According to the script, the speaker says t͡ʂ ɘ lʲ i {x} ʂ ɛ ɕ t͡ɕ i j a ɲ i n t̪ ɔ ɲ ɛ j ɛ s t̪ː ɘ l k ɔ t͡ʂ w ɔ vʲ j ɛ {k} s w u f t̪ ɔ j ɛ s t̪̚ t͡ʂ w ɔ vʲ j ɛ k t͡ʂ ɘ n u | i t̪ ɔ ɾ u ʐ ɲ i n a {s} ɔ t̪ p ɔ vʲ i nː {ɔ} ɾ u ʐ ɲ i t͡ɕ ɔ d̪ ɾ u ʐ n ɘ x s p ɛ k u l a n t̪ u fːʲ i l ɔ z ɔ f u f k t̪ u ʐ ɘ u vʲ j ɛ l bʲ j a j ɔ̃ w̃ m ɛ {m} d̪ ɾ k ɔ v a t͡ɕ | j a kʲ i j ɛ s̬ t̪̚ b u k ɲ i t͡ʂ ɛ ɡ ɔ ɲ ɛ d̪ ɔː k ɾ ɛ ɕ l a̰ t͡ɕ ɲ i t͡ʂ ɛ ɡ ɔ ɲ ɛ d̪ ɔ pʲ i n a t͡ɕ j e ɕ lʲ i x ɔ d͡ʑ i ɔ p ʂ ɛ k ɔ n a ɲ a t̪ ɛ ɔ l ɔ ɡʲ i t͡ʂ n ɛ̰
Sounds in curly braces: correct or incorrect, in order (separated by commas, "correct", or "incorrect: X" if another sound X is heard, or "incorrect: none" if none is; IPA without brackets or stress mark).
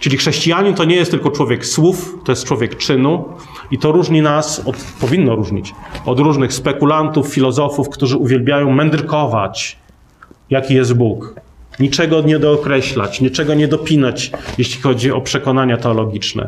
correct, correct, correct, correct, incorrect: n